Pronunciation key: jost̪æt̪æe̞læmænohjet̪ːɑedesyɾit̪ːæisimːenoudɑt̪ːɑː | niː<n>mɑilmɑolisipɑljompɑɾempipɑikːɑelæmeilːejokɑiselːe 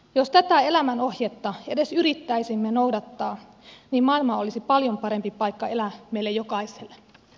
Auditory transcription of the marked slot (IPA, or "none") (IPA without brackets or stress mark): m